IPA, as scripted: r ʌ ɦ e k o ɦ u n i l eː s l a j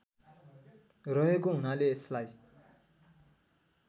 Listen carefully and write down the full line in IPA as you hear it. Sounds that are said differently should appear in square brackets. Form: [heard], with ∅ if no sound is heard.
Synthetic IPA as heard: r ʌ ɦ e k o ɦ u n [a] l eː s l a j